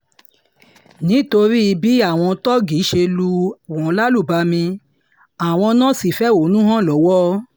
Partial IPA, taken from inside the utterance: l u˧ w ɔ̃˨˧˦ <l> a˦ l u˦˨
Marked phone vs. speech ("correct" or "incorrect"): correct